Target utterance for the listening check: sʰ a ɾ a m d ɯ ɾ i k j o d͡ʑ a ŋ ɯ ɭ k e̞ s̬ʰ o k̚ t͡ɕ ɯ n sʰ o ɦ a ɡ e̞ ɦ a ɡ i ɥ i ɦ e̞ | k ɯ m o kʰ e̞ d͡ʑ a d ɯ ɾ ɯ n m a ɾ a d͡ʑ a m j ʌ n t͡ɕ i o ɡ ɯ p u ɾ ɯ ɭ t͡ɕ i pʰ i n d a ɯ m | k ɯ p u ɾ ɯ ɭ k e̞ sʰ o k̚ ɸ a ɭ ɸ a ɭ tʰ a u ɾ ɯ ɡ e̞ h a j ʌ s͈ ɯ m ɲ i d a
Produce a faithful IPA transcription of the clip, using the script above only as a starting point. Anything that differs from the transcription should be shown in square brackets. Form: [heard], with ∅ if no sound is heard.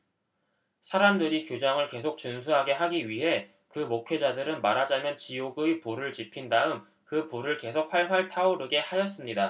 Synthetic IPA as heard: sʰ a ɾ a m d ɯ ɾ i k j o d͡ʑ a ŋ ɯ ɭ k e̞ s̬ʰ o k̚ t͡ɕ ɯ n sʰ [u] ɦ a ɡ e̞ ɦ a ɡ i ɥ i ɦ e̞ | k ɯ m o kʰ e̞ d͡ʑ a d ɯ ɾ ɯ n m a ɾ a d͡ʑ a m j ʌ n t͡ɕ i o ɡ ɯ p u ɾ ɯ ɭ t͡ɕ i pʰ i n d a ɯ m | k ɯ p u ɾ ɯ ɭ k e̞ sʰ o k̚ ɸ a ɭ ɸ a ɭ tʰ a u ɾ ɯ ɡ e̞ h a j ʌ s͈ ɯ m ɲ i d a